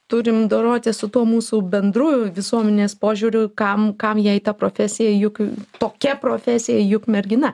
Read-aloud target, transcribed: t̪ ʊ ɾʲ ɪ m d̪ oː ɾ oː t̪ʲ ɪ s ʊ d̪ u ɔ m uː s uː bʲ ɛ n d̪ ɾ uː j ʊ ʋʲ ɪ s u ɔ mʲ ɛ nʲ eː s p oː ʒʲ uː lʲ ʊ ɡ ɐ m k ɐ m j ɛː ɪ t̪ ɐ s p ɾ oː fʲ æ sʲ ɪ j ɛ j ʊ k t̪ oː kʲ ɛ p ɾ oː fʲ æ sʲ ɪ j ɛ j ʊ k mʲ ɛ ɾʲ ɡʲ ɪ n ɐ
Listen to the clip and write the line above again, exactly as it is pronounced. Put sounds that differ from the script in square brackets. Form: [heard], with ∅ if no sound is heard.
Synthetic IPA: t̪ ʊ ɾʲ ɪ m d̪ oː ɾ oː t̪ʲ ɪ s ʊ [t̪] u ɔ m uː s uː bʲ ɛ n d̪ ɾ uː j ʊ ʋʲ ɪ s u ɔ mʲ ɛ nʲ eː s p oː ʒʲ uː [ɾʲ] ʊ [k] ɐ m k ɐ m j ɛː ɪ t̪ ɐ [∅] p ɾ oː fʲ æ sʲ ɪ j ɛ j ʊ k t̪ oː kʲ ɛ p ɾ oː fʲ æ sʲ ɪ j ɛ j ʊ k mʲ ɛ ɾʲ ɡʲ ɪ n ɐ